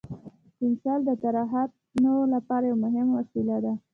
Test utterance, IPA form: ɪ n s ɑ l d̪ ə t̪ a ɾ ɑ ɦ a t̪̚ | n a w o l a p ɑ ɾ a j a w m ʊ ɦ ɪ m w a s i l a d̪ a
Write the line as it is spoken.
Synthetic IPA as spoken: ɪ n s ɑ l d̪ ə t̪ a ɾ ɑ ɦ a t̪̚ | n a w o l a p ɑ ɾ a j a w m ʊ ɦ ɪ m w a s i l a d̪ a